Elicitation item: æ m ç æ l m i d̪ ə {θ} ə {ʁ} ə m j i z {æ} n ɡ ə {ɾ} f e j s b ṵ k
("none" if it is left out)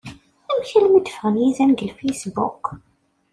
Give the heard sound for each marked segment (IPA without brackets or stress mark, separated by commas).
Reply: f, ʁ, æ, l